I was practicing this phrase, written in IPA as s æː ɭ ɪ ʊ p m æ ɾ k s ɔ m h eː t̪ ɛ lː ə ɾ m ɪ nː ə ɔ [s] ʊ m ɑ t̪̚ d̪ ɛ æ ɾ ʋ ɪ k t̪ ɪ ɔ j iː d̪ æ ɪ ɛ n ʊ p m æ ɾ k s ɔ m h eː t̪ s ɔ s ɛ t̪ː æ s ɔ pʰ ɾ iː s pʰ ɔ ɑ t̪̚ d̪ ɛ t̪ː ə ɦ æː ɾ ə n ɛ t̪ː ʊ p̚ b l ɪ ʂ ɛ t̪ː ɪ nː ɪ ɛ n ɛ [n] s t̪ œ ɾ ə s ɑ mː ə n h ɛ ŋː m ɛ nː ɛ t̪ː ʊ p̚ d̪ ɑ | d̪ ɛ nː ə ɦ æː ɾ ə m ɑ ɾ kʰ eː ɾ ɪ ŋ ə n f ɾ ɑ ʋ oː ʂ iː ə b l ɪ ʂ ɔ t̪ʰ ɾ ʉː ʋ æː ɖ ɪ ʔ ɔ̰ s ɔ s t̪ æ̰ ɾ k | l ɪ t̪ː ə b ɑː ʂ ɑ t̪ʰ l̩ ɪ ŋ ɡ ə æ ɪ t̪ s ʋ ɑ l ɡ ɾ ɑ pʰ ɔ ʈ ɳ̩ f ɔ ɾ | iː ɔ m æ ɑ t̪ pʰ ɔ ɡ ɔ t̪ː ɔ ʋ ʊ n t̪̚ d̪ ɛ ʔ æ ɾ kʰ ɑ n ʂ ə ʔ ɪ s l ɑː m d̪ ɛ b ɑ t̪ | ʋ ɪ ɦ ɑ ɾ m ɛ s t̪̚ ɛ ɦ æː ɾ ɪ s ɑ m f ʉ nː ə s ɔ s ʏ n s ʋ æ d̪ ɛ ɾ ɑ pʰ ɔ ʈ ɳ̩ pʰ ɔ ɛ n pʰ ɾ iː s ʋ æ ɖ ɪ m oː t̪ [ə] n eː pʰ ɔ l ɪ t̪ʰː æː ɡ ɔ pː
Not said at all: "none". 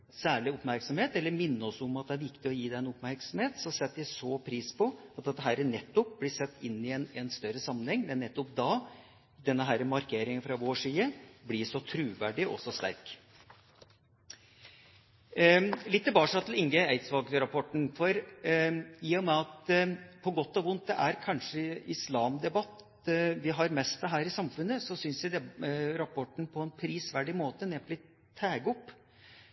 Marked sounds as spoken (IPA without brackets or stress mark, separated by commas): s, n, ə